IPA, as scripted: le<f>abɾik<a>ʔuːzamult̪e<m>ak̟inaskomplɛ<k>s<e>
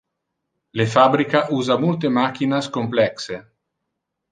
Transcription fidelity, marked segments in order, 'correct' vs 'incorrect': correct, correct, correct, correct, correct

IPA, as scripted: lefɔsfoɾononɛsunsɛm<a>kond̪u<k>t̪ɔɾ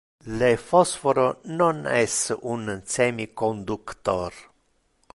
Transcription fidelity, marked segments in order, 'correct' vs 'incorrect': incorrect: i, correct

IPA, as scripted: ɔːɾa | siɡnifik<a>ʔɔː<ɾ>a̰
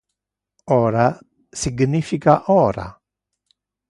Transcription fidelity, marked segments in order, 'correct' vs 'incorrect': correct, correct

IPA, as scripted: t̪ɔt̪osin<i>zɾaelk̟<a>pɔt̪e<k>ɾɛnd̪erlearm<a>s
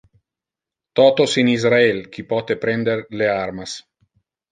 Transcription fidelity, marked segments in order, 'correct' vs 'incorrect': correct, incorrect: i, incorrect: p, correct

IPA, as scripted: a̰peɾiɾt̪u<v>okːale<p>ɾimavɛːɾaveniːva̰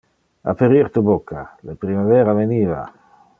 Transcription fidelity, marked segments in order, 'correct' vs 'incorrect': incorrect: b, correct

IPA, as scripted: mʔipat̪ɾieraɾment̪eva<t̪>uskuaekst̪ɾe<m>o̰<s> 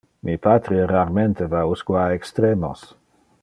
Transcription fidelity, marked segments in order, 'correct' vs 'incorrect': incorrect: none, correct, correct

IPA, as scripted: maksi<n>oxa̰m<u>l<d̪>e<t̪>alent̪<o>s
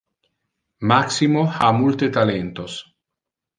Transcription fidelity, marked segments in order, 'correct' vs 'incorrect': incorrect: m, correct, incorrect: t̪, correct, correct

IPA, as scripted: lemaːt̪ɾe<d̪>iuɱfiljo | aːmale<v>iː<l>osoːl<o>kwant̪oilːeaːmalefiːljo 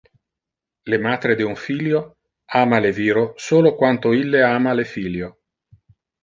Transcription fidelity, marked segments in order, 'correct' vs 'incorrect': correct, correct, incorrect: ɾ, correct

